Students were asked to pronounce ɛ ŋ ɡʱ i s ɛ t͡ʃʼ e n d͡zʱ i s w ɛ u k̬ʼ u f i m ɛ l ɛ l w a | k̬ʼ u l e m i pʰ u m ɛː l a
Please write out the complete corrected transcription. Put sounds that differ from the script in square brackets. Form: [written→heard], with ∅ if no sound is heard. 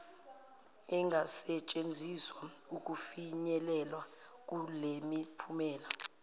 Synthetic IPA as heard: ɛ ŋ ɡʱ [i→a] s ɛ t͡ʃʼ e n d͡zʱ i s w [ɛ→a] u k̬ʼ u f i [m→ɲ] ɛ l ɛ l w a | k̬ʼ u l e m i pʰ u m ɛː l a